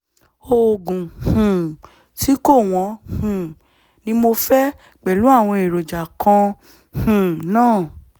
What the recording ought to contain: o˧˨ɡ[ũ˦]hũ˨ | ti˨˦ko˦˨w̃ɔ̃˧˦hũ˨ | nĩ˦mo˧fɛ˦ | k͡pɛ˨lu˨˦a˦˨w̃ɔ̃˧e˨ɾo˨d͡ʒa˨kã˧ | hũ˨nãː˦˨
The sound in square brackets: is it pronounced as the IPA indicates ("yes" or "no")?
no